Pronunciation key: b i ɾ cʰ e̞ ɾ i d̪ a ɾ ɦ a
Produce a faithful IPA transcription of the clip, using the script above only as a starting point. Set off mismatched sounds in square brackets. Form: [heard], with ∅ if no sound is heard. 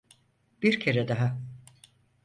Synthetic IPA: b i ɾ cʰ e̞ ɾ [ɛ] d̪ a [∅] ɦ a